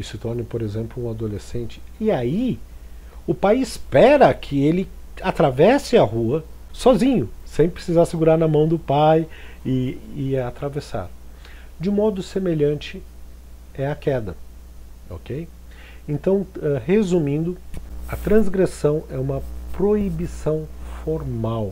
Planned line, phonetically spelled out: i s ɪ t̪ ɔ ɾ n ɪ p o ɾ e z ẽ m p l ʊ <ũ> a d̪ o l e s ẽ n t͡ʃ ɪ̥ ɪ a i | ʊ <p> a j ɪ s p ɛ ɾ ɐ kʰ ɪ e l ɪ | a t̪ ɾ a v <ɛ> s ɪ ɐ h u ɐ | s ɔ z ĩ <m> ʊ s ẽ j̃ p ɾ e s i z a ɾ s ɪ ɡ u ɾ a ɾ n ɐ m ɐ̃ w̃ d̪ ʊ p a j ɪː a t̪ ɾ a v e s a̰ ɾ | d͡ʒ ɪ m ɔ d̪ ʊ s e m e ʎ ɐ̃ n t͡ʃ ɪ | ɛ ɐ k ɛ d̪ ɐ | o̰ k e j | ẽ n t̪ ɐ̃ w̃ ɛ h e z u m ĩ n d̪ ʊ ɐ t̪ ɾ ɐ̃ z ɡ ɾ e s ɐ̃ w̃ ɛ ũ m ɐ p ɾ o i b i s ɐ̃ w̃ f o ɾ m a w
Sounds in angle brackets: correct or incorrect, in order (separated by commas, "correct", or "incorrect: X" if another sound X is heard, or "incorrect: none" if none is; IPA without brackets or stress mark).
correct, correct, correct, incorrect: ɲ